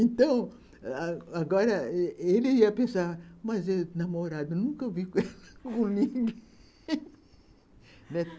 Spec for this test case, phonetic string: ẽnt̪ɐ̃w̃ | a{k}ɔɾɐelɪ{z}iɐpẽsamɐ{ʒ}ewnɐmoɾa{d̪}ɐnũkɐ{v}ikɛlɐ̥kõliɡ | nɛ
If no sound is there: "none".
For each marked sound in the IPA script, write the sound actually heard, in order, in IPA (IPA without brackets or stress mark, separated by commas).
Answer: ɡ, none, z, d̪, v